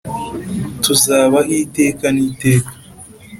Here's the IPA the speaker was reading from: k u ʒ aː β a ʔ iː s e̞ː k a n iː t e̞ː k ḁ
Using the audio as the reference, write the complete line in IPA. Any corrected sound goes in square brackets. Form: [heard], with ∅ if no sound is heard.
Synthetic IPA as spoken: [t] u [z] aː β a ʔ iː [t] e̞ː k a n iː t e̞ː k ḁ